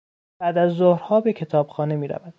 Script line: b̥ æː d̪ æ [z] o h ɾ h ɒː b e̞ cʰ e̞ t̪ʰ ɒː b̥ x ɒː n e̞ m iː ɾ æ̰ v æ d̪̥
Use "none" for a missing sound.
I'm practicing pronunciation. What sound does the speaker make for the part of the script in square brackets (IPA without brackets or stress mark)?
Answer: zː